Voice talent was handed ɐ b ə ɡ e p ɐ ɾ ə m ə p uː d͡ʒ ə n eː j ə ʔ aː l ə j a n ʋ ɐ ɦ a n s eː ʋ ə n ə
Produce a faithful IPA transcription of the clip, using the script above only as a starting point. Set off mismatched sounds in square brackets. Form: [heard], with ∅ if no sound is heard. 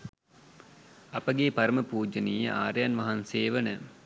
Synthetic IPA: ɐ [p] ə ɡ e p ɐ ɾ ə m ə p uː d͡ʒ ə n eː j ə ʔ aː [ɾ] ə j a n ʋ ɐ ɦ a n s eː ʋ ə n ə